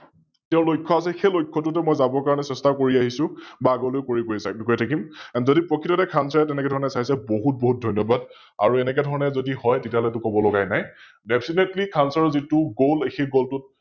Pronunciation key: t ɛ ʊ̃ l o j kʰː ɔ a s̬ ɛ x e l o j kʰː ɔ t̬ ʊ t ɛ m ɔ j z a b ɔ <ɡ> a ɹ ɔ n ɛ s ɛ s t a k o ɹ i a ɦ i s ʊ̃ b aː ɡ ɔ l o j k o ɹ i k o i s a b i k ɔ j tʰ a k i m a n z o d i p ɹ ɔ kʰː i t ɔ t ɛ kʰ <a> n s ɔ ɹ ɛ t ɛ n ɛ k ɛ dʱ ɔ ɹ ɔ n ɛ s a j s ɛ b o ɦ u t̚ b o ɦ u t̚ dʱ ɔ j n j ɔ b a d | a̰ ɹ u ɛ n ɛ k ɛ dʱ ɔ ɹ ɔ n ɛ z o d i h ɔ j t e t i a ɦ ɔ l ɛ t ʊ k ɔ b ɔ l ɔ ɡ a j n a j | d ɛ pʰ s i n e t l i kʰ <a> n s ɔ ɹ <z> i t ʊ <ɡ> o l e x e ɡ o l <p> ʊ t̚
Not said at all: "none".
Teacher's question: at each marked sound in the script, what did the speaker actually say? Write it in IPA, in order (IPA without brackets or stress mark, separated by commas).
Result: k, a, a, z, ɡ, t